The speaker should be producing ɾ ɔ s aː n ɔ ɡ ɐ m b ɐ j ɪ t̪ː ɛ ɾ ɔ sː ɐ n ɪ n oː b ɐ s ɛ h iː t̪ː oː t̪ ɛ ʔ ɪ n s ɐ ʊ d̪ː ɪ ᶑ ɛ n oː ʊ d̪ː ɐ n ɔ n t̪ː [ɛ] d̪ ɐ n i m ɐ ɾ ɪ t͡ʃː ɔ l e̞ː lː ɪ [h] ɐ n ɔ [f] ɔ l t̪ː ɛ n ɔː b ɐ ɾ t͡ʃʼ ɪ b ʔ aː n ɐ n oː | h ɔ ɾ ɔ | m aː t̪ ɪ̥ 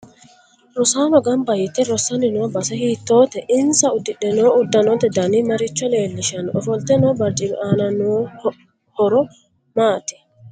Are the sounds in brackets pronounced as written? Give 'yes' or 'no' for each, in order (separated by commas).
yes, no, yes